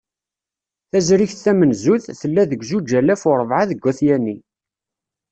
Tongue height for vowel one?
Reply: low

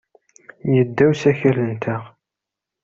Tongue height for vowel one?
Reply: mid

